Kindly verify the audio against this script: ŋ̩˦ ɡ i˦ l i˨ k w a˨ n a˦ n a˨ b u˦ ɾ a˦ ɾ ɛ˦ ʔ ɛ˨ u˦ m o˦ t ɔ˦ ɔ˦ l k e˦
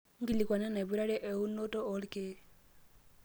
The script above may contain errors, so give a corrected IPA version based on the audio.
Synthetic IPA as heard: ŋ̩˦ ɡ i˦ l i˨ k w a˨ n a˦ n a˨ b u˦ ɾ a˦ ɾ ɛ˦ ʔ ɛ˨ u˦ n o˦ t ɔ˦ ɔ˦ l k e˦